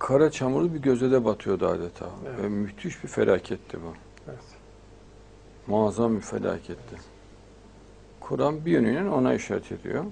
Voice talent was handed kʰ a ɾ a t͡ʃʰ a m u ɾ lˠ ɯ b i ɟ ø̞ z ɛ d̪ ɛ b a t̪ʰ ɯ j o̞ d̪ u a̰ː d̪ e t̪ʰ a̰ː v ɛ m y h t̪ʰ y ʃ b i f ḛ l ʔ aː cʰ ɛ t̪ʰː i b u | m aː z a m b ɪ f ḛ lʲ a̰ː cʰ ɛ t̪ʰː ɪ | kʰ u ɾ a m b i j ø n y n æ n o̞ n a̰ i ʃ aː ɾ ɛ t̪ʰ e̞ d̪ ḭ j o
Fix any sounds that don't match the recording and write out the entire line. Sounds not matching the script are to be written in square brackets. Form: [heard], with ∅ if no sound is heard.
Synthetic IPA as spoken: kʰ a ɾ a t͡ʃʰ a m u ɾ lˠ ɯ b i ɟ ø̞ z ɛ d̪ ɛ b a t̪ʰ ɯ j o̞ d̪ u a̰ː d̪ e t̪ʰ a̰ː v ɛ m y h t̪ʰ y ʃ b i f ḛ l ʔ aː cʰ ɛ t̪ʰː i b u | m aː z a m b [i] f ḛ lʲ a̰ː cʰ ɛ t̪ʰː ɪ | kʰ u ɾ a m b i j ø n y n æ n o̞ n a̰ i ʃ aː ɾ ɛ t̪ʰ e̞ d̪ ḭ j o